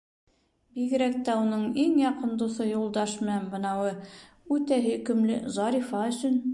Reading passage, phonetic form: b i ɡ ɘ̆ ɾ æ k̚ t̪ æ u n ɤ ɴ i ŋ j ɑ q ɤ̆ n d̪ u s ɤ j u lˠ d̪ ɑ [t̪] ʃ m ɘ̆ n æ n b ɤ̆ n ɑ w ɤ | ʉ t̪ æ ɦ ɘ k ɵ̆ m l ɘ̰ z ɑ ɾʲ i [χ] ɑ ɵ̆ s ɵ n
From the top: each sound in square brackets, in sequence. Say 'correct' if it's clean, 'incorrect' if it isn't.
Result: incorrect, incorrect

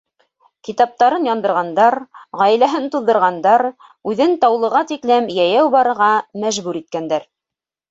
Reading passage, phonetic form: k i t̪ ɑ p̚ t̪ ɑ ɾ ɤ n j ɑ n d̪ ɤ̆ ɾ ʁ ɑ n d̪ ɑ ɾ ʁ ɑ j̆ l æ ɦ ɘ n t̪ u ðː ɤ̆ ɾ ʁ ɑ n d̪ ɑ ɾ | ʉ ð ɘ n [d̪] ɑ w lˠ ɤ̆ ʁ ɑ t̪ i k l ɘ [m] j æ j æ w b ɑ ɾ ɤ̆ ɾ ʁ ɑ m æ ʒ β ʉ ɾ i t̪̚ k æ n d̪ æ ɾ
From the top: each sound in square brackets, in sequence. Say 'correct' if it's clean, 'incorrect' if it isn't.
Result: incorrect, correct

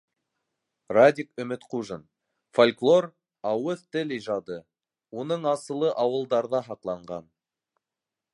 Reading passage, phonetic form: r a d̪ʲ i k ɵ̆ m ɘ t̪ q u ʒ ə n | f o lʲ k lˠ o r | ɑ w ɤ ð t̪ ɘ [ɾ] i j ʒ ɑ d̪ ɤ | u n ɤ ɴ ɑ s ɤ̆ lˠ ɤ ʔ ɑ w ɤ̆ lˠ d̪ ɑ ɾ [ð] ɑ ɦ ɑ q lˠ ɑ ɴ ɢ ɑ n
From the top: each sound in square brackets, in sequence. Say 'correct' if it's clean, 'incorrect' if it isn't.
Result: incorrect, correct

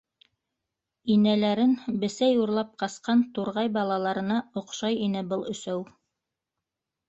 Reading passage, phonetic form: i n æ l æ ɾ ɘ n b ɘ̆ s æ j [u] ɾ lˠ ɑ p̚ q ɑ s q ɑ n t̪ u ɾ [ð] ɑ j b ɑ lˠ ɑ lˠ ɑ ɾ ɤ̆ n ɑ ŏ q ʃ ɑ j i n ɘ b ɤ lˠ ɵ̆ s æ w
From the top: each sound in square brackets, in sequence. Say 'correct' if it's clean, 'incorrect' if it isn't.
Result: correct, incorrect

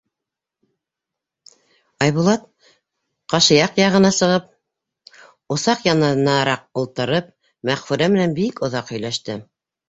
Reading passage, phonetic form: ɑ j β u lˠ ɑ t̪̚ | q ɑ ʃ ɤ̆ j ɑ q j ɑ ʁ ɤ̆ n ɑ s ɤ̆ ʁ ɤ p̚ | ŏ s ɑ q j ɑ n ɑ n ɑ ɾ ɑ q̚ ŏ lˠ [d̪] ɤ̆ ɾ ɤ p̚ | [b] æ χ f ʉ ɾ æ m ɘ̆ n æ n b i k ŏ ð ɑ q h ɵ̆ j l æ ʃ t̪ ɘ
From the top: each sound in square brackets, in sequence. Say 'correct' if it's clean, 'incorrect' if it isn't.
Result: incorrect, incorrect

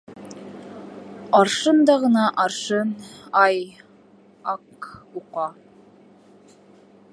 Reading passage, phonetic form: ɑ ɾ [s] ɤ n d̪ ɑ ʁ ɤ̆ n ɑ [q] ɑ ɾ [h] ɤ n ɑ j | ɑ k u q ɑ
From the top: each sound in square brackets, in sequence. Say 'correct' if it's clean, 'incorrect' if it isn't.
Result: incorrect, incorrect, incorrect

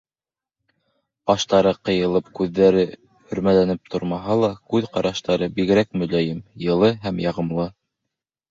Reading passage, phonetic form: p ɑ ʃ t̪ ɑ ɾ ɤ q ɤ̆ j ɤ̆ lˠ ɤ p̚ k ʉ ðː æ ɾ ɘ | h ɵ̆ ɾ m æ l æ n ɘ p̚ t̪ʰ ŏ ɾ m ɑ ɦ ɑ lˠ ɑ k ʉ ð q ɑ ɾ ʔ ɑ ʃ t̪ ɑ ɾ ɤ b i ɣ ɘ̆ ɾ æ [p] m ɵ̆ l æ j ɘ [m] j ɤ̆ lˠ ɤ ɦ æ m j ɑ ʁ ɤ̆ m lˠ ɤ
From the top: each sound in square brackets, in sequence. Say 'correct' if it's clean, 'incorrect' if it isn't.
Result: incorrect, correct

